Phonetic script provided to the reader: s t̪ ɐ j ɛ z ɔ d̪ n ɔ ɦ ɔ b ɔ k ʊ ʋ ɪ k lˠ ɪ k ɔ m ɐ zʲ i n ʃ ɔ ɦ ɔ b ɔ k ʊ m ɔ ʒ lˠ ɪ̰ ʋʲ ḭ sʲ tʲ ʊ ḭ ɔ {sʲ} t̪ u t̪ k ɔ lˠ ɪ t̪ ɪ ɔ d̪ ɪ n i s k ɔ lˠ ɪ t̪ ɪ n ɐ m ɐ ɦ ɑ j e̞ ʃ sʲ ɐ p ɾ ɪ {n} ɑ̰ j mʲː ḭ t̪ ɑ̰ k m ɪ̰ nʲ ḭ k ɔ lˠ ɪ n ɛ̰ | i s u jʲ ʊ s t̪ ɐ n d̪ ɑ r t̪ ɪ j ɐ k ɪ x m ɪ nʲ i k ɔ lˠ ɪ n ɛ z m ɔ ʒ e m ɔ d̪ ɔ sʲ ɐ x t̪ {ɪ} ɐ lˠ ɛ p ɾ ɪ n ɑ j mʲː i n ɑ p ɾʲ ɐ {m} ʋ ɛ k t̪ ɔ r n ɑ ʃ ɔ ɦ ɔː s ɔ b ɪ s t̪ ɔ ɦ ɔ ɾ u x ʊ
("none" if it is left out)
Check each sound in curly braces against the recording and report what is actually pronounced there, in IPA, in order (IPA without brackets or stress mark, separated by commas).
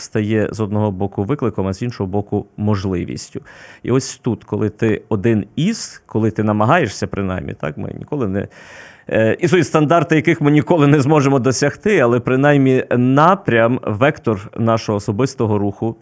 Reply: sʲ, n, ɪ, m